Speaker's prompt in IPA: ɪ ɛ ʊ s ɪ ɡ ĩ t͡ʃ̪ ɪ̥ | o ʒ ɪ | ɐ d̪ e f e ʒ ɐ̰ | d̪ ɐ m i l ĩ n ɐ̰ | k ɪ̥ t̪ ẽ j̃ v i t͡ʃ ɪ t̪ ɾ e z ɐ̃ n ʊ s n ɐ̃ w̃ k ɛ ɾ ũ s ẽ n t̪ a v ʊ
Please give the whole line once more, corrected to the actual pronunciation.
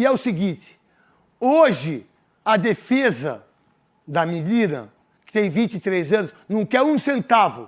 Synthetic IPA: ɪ ɛ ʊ s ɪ ɡ ĩ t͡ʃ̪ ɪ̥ | o ʒ ɪ | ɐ d̪ e f e z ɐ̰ | d̪ ɐ m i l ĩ n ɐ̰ | k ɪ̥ t̪ ẽ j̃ v ĩ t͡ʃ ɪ t̪ ɾ e z ɐ̃ n ʊ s n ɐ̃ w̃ k ɛ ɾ ũ s ẽ n t̪ a v ʊ

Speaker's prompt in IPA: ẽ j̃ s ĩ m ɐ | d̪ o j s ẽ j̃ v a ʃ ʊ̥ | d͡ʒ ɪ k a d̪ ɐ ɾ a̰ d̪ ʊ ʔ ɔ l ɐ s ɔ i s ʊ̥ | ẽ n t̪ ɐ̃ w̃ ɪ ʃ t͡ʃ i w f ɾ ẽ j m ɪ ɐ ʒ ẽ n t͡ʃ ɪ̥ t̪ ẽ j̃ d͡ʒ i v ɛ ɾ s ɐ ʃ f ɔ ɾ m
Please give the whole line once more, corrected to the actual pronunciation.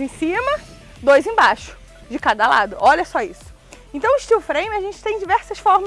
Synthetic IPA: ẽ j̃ s ĩ m ɐ | d̪ o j z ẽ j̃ b a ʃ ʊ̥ | d͡ʒ ɪ k a d̪ ɐ l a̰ d̪ ʊ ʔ ɔ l ɐ s ɔ i s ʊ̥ | ẽ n t̪ ɐ̃ w̃ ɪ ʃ t͡ʃ i w f ɾ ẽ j m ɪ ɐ ʒ ẽ n t͡ʃ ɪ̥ t̪ ẽ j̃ d͡ʒ i v ɛ ɾ s ɐ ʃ f ɔ ɾ m

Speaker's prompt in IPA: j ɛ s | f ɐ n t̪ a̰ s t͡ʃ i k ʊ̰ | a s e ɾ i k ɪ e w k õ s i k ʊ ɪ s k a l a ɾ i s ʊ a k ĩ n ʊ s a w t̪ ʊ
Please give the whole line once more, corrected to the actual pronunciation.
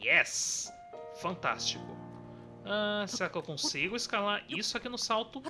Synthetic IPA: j ɛ s | f ɐ̃ n t̪ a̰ s t͡ʃ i k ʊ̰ | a s e ɾ a k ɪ e w k õ s i ɡ ʊ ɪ s k a l a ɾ i s ʊ a k i n ʊ s a w t̪ ʊ

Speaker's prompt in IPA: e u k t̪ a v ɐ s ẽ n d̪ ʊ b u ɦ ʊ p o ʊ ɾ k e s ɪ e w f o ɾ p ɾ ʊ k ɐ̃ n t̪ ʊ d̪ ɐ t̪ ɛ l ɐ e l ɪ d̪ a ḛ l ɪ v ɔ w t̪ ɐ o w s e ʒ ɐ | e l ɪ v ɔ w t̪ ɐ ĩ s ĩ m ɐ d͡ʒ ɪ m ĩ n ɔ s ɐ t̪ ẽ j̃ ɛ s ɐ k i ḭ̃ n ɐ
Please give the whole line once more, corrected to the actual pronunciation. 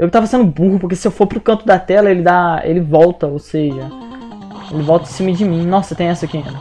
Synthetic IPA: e w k t̪ a v ɐ s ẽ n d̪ ʊ b u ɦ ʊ p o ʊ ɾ k e s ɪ e w f o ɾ p ɾ ʊ k ɐ̃ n t̪ ʊ d̪ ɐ t̪ ɛ l ɐ e l ɪ d̪ a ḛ l ɪ v ɔ w t̪ ɐ o w s e ʒ ɐ | e l ɪ v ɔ w t̪ ɐ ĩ s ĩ m ɐ d͡ʒ ɪ m ĩ n ɔ s ɐ t̪ ẽ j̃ ɛ s ɐ k i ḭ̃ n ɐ

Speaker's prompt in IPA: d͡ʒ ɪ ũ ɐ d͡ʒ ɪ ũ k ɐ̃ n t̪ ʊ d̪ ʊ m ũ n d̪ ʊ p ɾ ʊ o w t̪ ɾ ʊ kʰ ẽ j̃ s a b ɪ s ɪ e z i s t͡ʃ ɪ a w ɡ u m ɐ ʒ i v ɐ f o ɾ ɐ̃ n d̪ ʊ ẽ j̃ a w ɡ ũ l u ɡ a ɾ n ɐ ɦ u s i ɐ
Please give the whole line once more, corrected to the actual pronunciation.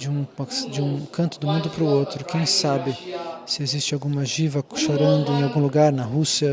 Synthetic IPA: d͡ʒ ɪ ũ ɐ d͡ʒ ɪ ũ k ɐ̃ n t̪ ʊ d̪ ʊ m ũ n d̪ ʊ p ɾ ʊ o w t̪ ɾ ʊ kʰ ẽ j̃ s a b ɪ s ɪ e z i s t͡ʃ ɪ a w ɡ ũ m ɐ ʒ i v ɐ ʃ o ɾ ɐ̃ n d̪ ʊ ẽ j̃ a w ɡ ũ l u ɡ a ɾ n ɐ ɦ u s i ɐ

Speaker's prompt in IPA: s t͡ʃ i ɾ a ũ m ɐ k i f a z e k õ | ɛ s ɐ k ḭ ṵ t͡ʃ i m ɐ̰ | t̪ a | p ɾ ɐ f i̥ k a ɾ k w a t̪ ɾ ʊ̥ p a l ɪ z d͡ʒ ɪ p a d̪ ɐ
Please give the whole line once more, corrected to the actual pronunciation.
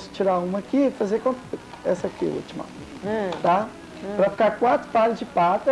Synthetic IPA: s t͡ʃ i ɾ a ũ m ɐ k i f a z e k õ | ɛ s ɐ k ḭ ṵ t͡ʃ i m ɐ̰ | t̪ a | p ɾ ɐ f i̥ k a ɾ k w a t̪ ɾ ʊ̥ p a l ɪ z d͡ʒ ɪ p a t̪ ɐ

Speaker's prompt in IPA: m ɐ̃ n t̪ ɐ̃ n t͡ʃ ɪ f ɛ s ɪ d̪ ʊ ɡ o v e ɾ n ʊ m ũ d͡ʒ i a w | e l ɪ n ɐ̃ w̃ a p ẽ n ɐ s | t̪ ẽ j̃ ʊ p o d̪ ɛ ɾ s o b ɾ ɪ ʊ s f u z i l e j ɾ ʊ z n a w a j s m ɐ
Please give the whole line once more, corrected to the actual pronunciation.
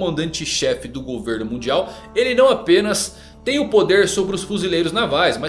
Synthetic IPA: m ɐ̃ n d̪ ɐ̃ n t͡ʃ ɪ ʃ ɛ f ɪ d̪ ʊ ɡ o v e ɾ n ʊ m ũ d͡ʒ i a w | e l ɪ n ɐ̃ w̃ a p ẽ n ɐ s | t̪ ẽ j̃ ʊ p o d̪ e ɾ s o b ɾ ɪ ʊ s f u z i l e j ɾ ʊ z n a v a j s m ɐ

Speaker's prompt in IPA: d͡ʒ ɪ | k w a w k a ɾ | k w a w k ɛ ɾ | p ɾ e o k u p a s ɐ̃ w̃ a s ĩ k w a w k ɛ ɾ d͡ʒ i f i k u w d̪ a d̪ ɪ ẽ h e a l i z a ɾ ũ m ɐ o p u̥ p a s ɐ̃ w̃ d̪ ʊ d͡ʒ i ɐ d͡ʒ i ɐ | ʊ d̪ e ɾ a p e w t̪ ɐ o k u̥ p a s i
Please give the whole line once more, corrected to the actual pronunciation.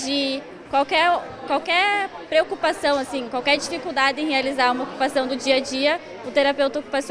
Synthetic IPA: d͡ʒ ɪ | k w a w k ɛ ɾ | k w a w k ɛ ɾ | p ɾ e o k u p a s ɐ̃ w̃ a s ĩ k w a w k ɛ ɾ d͡ʒ i f i k u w d̪ a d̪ ɪ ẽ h e a l i z a ɾ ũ m ɐ o k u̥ p a s ɐ̃ w̃ d̪ ʊ d͡ʒ i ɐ d͡ʒ i ɐ | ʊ t̪ e ɾ a p e w t̪ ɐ o k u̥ p a s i

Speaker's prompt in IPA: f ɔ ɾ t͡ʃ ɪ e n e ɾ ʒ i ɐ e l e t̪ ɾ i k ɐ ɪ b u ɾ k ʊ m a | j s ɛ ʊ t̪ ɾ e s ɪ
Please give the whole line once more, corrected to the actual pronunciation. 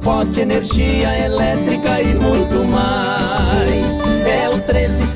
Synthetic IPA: f ɔ ɾ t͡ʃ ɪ e n e ɾ ʒ i ɐ e l ɛ t̪ ɾ i k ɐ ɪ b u ɾ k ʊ m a | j s ɛ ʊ t̪ ɾ e z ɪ

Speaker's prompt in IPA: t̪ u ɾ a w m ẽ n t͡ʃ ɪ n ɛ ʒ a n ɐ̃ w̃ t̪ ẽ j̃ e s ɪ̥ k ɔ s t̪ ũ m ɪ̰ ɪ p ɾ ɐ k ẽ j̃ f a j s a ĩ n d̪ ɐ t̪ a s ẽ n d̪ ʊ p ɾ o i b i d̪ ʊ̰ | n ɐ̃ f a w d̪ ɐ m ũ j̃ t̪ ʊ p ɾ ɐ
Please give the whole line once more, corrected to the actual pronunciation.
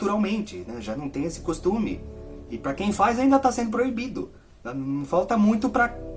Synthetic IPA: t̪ u ɾ a w m ẽ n t͡ʃ ɪ n ɛ ʒ a n ɐ̃ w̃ t̪ ẽ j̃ e s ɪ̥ k o s t̪ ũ m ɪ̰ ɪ p ɾ ɐ k ẽ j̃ f a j z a ĩ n d̪ ɐ t̪ a s ẽ n d̪ ʊ p ɾ o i b i d̪ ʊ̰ | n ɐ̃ f a w t̪ ɐ m ũ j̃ t̪ ʊ p ɾ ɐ

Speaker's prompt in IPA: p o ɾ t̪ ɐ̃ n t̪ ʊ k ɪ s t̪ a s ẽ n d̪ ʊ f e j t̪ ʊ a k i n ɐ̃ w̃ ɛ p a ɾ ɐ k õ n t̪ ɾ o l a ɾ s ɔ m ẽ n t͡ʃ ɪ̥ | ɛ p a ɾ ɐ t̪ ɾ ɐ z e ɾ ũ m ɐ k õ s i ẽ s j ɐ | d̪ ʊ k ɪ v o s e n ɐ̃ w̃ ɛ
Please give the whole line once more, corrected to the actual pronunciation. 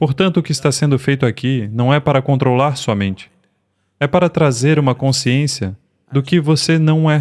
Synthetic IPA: p o ɾ t̪ ɐ̃ n t̪ ʊ k ɪ s t̪ a s ẽ n d̪ ʊ f e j t̪ ʊ a k i n ɐ̃ w̃ ɛ p a ɾ ɐ k õ n t̪ ɾ o l a ɾ s ɔ m ẽ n t͡ʃ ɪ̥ | ɛ p a ɾ ɐ t̪ ɾ a z e ɾ ũ m ɐ k õ s i ẽ s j ɐ | d̪ ʊ k ɪ v o s e n ɐ̃ w̃ ɛ

